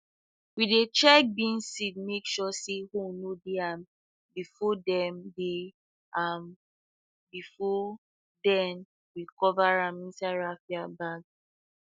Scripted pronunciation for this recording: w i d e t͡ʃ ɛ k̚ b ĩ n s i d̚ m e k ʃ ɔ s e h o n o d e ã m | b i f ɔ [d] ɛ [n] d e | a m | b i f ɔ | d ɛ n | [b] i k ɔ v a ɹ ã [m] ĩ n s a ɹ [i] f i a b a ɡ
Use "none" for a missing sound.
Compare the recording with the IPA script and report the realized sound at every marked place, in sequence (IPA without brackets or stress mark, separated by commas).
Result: d, m, w, m, a